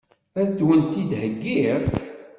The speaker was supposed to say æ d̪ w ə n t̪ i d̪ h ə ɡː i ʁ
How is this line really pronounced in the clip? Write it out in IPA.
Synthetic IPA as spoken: æ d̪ w ə n t̪ i d̪ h ə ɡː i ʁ

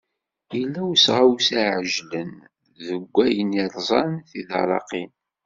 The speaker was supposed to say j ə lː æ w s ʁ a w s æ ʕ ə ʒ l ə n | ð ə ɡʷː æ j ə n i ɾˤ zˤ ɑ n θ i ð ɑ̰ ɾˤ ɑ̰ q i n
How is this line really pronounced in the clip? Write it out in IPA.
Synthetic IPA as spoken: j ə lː æ w s ʁ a w s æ ʕ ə ʒ l ə n | ð ə ɡʷː æ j ə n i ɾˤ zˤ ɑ n θ i ð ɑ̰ ɾˤ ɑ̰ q i n

